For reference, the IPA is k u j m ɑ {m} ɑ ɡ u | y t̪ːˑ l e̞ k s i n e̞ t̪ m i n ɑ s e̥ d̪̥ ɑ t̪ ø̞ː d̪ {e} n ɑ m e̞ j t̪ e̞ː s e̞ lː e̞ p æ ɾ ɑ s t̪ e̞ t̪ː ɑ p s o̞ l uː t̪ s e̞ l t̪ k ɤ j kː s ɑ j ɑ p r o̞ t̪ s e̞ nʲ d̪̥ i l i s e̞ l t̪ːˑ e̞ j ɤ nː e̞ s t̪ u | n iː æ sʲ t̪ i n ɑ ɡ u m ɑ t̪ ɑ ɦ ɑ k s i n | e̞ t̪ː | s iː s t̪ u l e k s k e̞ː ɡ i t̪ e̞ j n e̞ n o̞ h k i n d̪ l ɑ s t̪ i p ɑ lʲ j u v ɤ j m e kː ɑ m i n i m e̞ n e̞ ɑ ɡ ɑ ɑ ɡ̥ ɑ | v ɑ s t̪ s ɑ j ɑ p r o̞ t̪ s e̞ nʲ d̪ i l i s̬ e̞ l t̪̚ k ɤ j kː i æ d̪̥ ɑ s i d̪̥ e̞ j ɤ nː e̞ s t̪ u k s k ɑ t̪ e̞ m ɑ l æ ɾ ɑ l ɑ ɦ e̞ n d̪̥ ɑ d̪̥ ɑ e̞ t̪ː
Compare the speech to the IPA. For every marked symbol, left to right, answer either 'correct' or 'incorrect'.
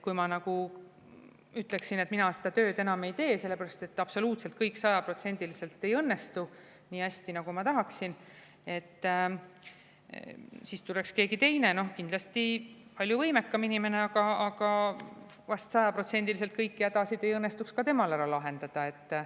incorrect: n, correct

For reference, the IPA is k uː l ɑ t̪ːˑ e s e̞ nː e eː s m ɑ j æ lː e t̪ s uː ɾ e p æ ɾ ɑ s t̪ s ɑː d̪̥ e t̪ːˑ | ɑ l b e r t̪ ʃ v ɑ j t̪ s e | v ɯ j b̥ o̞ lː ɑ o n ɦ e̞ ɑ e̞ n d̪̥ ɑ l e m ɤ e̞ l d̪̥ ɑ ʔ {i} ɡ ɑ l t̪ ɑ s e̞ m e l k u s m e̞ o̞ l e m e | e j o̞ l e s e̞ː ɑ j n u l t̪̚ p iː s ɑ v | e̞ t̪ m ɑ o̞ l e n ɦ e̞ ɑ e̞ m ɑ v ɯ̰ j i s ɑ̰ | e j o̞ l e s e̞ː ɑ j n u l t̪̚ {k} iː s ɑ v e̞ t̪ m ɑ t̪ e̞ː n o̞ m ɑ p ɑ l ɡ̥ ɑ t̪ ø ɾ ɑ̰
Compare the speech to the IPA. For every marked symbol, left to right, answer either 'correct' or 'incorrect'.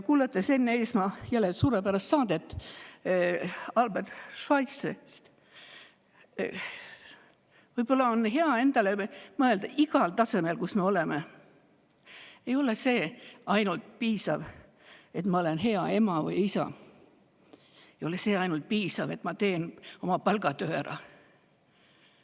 correct, incorrect: p

